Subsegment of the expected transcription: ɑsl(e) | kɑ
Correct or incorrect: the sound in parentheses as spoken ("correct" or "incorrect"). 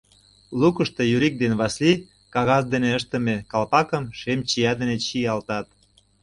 incorrect